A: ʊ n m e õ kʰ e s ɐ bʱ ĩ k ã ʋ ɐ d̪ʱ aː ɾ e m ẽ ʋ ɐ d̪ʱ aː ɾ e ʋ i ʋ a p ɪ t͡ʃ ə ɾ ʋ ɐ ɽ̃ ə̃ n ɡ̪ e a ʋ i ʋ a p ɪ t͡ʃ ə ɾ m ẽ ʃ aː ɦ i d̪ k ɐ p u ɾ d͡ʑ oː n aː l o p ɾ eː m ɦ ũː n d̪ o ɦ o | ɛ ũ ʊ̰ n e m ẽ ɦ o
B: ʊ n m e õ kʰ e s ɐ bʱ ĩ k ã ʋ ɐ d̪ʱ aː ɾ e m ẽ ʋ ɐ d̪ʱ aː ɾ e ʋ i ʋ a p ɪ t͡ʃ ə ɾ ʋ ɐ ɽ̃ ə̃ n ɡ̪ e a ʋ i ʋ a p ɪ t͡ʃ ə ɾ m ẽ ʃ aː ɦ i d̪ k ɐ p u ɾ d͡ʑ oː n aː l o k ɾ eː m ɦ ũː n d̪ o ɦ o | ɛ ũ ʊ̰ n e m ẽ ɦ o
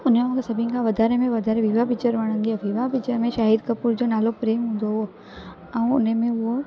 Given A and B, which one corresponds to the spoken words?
A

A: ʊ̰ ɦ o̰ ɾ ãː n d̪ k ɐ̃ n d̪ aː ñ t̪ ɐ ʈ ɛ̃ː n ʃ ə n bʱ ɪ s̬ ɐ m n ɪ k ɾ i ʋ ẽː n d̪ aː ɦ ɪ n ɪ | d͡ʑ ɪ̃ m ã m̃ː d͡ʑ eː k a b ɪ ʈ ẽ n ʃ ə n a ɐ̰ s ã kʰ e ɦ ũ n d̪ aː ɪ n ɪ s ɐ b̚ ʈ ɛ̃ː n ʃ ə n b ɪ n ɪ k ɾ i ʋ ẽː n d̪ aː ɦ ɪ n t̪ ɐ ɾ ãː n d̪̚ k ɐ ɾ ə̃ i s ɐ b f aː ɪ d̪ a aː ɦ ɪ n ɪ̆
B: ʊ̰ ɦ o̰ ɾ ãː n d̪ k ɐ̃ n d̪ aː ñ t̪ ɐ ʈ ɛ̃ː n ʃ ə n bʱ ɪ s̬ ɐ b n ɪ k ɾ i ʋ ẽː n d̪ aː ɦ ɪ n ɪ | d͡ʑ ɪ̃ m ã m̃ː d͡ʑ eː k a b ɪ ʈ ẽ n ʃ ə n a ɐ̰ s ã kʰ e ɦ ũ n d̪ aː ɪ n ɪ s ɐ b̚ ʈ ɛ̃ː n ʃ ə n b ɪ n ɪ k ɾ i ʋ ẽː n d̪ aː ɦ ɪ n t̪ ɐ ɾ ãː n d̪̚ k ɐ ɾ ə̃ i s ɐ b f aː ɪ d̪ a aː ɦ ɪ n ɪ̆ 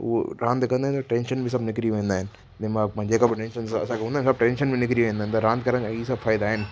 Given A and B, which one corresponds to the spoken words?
B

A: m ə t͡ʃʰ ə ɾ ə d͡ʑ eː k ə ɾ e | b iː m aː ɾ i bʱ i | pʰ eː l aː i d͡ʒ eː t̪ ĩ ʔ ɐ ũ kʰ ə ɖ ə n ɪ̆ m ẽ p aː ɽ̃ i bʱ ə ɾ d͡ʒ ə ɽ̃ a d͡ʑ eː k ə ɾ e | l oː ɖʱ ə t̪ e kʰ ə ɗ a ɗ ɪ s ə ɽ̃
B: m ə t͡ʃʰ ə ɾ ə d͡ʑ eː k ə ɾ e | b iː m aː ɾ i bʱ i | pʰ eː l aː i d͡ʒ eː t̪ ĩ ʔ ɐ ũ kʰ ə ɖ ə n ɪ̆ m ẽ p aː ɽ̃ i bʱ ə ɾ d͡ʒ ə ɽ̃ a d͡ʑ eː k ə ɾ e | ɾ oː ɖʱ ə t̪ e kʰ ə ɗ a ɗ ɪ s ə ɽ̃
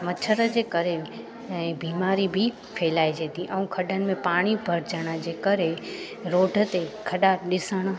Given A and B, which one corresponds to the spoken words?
B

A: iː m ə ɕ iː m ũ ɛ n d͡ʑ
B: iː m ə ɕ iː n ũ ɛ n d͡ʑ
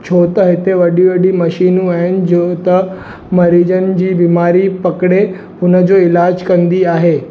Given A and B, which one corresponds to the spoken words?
B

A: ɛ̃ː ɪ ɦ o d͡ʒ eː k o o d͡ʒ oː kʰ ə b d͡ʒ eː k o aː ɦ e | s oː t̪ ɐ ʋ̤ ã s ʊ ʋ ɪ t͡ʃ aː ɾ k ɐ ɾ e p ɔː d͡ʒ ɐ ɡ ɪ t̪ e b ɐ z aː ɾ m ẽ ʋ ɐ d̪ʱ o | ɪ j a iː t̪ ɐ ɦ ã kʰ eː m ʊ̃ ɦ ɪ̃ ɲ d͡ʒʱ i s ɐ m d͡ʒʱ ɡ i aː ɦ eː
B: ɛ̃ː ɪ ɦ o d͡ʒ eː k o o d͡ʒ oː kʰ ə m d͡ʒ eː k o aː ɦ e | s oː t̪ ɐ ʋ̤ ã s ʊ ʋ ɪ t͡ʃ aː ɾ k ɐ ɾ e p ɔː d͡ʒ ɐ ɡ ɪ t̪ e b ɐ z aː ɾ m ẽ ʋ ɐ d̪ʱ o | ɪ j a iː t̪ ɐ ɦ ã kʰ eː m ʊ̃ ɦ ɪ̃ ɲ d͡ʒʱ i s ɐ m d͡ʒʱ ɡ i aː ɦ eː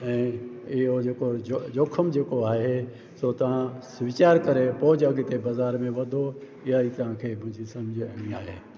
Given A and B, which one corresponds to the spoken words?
B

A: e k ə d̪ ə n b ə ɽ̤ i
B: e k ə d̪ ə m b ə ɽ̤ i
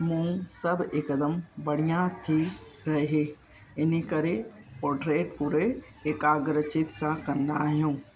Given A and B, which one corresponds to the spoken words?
B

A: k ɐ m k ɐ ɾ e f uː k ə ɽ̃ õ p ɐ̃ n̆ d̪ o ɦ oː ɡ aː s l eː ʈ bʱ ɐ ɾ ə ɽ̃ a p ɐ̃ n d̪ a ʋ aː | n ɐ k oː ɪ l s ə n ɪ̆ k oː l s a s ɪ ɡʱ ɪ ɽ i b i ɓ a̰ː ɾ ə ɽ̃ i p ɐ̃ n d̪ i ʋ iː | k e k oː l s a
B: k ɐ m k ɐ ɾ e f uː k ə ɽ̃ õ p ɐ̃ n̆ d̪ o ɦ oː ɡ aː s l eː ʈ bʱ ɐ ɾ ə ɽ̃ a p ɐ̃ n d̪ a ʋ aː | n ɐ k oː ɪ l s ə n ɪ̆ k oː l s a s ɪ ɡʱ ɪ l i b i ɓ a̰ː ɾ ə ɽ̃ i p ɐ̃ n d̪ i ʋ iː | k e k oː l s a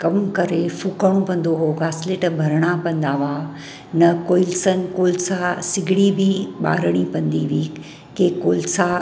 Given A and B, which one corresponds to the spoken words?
A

